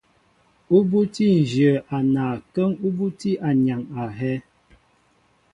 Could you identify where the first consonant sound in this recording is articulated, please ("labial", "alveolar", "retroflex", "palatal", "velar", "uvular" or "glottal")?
labial